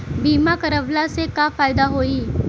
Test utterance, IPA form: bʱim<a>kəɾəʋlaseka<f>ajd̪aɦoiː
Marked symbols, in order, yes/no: yes, yes

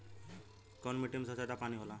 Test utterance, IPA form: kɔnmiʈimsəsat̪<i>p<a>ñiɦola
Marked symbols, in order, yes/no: no, yes

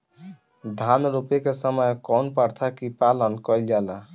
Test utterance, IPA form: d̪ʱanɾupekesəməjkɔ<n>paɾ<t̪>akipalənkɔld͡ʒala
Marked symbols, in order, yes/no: yes, no

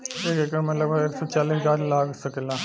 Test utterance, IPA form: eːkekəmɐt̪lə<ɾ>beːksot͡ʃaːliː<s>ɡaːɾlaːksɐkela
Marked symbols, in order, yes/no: no, yes

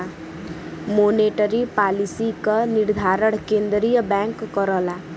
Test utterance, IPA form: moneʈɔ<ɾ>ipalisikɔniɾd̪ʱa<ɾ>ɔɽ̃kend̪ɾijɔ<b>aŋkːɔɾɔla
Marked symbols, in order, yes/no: yes, yes, yes

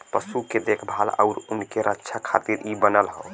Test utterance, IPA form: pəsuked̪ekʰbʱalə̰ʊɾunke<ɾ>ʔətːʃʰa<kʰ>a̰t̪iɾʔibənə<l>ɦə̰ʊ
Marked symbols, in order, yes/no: yes, yes, yes

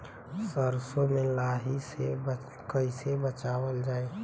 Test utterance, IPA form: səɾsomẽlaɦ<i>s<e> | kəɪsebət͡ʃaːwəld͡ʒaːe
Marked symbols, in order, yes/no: yes, yes

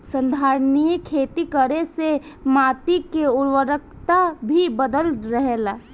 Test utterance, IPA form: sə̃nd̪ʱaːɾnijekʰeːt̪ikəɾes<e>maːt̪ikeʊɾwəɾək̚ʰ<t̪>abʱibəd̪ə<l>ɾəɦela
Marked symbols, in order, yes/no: yes, yes, yes

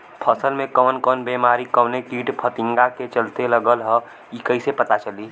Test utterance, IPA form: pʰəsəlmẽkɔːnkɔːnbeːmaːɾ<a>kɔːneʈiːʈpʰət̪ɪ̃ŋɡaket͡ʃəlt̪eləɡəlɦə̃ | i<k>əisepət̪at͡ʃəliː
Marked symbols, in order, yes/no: no, yes

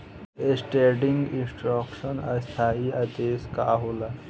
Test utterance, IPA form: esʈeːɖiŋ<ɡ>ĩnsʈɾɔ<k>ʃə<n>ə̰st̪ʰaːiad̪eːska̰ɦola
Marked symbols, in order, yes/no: yes, yes, yes

